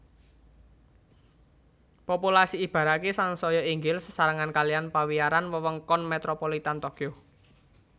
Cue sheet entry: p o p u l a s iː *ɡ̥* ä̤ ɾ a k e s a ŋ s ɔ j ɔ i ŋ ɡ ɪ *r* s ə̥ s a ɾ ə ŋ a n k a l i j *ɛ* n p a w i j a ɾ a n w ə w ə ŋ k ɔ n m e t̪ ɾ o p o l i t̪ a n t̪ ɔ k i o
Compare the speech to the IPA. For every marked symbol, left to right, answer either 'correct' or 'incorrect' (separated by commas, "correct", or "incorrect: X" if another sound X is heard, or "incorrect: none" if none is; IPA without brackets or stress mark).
incorrect: b̥, incorrect: l, incorrect: a